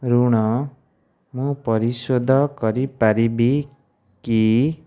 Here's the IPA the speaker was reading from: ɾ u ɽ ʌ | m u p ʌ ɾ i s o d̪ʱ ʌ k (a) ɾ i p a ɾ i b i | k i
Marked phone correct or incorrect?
incorrect